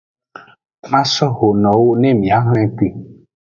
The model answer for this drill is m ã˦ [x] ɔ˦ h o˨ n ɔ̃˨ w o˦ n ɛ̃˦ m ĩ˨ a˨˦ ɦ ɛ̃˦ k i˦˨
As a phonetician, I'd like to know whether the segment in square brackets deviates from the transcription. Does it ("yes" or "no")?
yes